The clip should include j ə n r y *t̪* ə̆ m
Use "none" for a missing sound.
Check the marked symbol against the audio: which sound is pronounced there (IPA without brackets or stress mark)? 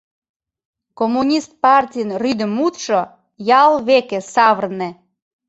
d̪